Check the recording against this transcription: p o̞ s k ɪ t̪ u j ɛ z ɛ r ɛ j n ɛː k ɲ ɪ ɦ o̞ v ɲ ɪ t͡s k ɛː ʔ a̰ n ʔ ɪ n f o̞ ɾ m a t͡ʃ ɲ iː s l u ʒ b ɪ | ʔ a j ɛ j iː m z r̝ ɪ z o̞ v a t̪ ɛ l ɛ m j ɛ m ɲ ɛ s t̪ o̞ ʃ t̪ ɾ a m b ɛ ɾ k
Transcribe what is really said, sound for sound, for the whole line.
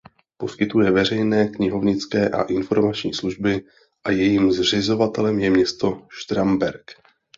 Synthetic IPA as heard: p o̞ s k ɪ t̪ u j ɛ v ɛ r ɛ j n ɛː k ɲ ɪ ɦ o̞ v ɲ ɪ t͡s k ɛː ʔ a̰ ʔ ɪ n f o̞ ɾ m a t͡ʃ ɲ iː s l u ʒ b ɪ | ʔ a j ɛ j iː m z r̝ ɪ z o̞ v a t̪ ɛ l ɛ m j ɛ m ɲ ɛ s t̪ o̞ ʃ t̪ ɾ a m b ɛ ɾ k

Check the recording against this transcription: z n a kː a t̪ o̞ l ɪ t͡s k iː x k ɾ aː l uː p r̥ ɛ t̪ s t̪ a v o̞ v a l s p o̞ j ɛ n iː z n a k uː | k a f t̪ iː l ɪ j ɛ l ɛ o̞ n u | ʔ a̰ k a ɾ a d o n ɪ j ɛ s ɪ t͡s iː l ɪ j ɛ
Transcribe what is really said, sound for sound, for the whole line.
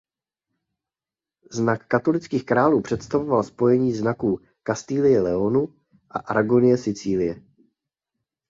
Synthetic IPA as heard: z n a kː a t̪ o̞ l ɪ t͡s k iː x k ɾ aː l uː p r̥ ɛ t̪ s t̪ a v o̞ v a l s p o̞ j ɛ ɲ iː z n a k uː | k a s t̪ iː l ɪ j ɛ l ɛ o̞ n u | ʔ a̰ ʔ a ɾ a ɡ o n ɪ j ɛ s ɪ t͡s iː l ɪ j ɛ

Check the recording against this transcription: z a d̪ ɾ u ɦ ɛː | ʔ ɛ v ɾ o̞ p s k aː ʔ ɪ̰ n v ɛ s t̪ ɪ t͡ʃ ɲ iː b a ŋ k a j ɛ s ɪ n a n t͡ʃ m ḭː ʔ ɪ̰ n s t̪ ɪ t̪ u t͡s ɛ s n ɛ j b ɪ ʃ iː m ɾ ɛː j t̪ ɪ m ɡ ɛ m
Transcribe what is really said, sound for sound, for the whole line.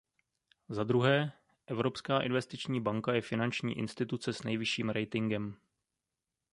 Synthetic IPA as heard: z a d̪ ɾ u ɦ ɛː | ʔ ɛ v ɾ o̞ p s k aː ʔ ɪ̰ n v ɛ s t̪ ɪ t͡ʃ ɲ iː b a ŋ k a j ɛ f ɪ n a n t͡ʃ ɲ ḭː ʔ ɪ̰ n s t̪ ɪ t̪ u t͡s ɛ s n ɛ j v ɪ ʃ iː m ɾ ɛ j t̪ ɪ ŋ ɡ ɛ m

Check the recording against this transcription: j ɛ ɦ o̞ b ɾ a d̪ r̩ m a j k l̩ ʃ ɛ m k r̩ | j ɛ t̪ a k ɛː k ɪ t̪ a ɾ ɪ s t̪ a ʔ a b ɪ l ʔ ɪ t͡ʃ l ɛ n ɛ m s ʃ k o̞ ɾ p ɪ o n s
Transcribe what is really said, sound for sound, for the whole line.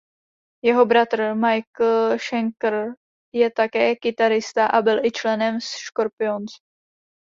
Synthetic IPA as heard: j ɛ ɦ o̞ b ɾ a t̪ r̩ m a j k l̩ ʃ ɛ ŋ k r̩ | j ɛ t̪ a k ɛː k ɪ t̪ a ɾ ɪ s t̪ a ʔ a b ɪ l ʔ ɪ t͡ʃ l ɛ n ɛ m s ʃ k o̞ ɾ p ɪ o n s

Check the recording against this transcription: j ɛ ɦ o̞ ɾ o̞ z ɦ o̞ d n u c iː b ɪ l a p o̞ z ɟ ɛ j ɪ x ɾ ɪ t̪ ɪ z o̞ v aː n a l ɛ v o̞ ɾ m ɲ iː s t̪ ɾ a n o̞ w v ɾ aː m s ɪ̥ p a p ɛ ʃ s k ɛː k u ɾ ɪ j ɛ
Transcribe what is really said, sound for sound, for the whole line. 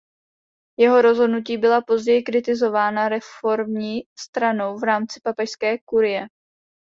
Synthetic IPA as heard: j ɛ ɦ o̞ ɾ o̞ z ɦ o̞ d n u c iː b ɪ l a p o̞ z ɟ ɛ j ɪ k ɾ ɪ t̪ ɪ z o̞ v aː n a ɾ ɛ f o̞ ɾ m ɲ iː s t̪ ɾ a n o̞ w v ɾ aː m t͡s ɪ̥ p a p ɛ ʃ s k ɛː k u ɾ ɪ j ɛ

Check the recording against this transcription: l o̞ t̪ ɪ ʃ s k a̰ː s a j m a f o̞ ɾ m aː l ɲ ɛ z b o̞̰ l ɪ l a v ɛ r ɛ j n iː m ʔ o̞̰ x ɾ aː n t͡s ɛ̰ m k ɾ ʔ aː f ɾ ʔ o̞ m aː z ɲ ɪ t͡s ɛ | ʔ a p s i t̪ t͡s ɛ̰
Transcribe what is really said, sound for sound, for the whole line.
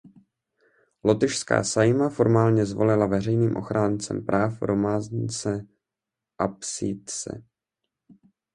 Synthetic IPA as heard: l o̞ t̪ ɪ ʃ s k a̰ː s a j m a f o̞ ɾ m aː l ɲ ɛ z v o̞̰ l ɪ l a v ɛ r ɛ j n iː m ʔ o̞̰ x ɾ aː n t͡s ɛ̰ m p ɾ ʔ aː f ɾ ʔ o̞ m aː z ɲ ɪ t͡s ɛ | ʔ a p s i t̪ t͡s ɛ̰

